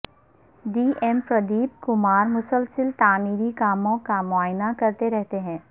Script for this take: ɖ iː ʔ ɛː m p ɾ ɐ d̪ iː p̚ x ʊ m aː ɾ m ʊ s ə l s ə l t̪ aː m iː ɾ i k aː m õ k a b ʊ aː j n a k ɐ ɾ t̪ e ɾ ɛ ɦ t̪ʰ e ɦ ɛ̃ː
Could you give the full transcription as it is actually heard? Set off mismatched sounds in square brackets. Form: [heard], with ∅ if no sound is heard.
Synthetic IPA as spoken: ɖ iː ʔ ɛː m p ɾ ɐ d̪ iː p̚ [k] ʊ m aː ɾ m ʊ s ə l s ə l t̪ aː m iː ɾ i k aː m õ k a [m] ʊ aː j n a k ɐ ɾ t̪ e ɾ ɛ ɦ [t̪] e ɦ ɛ̃ː